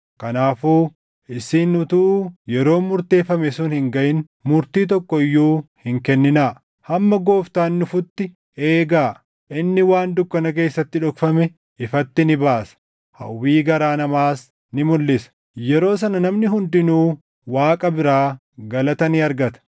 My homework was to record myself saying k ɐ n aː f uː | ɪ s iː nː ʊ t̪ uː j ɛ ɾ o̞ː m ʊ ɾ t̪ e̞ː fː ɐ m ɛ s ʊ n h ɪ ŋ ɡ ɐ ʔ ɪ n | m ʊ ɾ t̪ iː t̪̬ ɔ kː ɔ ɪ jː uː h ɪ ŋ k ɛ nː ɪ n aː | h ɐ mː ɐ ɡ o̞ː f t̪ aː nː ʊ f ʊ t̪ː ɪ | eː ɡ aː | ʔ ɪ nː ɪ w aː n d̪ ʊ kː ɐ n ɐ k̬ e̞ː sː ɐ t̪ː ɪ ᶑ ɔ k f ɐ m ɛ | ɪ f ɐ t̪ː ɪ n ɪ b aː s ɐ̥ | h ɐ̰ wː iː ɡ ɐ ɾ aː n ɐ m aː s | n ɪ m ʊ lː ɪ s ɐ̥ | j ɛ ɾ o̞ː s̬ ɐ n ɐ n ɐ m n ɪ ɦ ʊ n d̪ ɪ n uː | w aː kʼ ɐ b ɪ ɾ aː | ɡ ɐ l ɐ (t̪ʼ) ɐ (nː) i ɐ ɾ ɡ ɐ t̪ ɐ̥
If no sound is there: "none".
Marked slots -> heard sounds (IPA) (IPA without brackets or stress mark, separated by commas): t̪, n